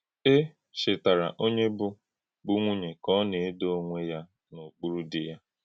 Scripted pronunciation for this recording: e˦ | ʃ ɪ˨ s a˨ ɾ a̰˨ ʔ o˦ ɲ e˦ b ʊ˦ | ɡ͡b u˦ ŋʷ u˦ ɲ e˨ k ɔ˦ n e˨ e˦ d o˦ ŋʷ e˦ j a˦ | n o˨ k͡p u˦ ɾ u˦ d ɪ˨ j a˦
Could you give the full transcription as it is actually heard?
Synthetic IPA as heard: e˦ | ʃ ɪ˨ t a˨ ɾ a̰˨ ʔ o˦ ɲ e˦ b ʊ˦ | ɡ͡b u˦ ŋʷ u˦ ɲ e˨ k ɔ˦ n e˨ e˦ d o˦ ŋʷ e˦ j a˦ | n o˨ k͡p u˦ ɾ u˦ d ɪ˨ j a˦